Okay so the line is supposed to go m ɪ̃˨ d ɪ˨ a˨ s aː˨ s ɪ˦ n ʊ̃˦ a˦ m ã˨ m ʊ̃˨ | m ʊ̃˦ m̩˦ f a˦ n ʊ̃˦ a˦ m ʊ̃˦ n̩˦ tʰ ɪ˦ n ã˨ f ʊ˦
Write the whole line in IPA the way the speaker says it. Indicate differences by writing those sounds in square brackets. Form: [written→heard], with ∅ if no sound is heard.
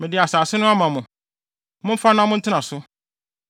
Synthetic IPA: m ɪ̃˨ d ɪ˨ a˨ s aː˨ s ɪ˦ n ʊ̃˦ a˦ m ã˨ m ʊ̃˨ | m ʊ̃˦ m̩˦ f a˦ n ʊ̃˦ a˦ m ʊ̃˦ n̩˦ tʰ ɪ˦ n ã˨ [f→s] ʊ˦

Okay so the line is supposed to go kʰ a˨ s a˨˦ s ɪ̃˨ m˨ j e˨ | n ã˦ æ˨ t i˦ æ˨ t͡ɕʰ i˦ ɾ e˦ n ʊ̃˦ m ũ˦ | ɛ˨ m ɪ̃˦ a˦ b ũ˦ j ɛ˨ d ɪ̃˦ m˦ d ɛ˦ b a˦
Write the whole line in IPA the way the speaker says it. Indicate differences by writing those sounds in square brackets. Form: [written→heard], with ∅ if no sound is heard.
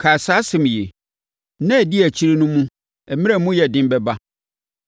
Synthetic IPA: kʰ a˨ s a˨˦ s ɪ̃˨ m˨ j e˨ | n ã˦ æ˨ [t→d] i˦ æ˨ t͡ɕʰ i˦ ɾ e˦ n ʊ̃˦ m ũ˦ | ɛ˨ m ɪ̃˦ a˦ [b→m] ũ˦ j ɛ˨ d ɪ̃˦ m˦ [d→b] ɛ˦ b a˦

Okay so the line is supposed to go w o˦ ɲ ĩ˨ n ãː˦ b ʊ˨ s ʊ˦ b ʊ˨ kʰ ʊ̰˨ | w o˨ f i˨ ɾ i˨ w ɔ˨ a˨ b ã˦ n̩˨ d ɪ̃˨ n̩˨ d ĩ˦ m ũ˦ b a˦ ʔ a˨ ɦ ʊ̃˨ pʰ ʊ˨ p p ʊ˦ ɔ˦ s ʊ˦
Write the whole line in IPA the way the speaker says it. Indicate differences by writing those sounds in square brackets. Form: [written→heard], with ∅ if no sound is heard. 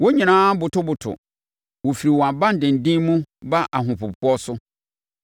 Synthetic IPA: w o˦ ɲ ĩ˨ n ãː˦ b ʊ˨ [s→t] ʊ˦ b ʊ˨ [kʰ→tʰ] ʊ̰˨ | w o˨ f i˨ ɾ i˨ w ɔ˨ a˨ b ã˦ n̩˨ d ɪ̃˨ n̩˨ d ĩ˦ m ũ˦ b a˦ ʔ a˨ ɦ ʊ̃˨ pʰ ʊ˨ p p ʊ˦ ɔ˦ s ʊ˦

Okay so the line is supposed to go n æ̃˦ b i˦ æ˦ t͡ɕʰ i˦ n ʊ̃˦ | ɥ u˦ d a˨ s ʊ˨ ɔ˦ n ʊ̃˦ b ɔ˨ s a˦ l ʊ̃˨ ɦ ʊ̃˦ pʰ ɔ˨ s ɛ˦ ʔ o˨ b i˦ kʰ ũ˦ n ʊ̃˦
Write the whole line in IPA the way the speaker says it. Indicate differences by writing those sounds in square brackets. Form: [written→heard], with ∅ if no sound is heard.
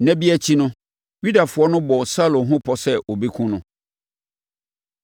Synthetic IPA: n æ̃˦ b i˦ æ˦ t͡ɕʰ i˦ n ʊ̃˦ | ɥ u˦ d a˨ [s→f] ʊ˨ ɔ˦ n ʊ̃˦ b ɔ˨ s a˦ l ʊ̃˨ ɦ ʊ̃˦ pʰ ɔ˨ s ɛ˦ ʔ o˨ b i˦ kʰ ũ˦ n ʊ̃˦

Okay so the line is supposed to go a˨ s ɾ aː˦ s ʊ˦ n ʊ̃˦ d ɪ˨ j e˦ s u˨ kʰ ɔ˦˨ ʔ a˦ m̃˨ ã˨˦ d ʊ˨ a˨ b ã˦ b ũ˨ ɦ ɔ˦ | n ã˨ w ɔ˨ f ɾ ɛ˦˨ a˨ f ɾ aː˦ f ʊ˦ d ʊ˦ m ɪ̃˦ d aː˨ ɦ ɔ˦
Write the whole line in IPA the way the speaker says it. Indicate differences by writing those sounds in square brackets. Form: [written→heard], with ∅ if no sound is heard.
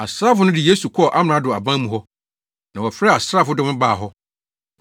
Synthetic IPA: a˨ s ɾ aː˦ [s→f] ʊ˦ n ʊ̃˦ d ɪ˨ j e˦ s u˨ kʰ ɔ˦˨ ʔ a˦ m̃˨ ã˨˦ d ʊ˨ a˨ b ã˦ [b→m] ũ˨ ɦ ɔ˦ | n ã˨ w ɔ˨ f ɾ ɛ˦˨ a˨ [f→s] ɾ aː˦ f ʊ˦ d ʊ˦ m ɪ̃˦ [d→b] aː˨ ɦ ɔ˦

